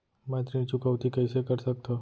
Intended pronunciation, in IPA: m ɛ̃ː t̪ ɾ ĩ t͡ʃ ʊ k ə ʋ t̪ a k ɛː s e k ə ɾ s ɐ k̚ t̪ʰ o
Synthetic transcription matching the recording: m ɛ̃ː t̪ ɾ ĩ t͡ʃ ʊ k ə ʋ t̪ i k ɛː s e k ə ɾ s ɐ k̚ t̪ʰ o